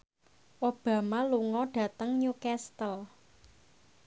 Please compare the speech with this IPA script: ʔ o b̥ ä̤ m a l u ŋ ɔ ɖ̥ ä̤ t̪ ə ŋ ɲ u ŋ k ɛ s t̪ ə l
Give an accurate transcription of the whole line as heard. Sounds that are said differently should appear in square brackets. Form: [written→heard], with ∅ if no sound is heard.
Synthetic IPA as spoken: ʔ o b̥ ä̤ m a l u ŋ ɔ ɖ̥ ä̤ t̪ ə ŋ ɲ u [ŋ→∅] k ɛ s t̪ ə l